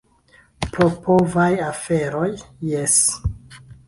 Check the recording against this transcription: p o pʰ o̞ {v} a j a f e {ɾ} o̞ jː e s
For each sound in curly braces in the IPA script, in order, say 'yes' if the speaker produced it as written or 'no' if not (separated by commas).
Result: yes, yes